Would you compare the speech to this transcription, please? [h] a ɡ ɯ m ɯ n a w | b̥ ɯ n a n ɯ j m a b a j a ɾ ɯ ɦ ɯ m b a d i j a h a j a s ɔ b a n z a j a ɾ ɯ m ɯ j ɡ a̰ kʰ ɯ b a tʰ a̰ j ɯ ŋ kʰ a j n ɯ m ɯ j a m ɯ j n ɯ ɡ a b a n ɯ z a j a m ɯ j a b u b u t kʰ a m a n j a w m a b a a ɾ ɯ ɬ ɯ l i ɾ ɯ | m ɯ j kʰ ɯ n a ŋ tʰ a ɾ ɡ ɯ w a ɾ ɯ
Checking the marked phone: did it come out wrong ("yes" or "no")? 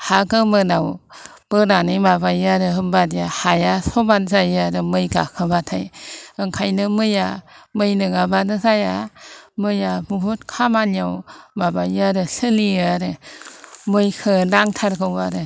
no